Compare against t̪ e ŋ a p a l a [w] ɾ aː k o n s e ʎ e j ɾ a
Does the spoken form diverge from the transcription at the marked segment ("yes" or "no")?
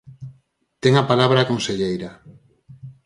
yes